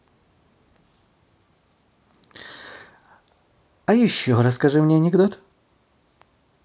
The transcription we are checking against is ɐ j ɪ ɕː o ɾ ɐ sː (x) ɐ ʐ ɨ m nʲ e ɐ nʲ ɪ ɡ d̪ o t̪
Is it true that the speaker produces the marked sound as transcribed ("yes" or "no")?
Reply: no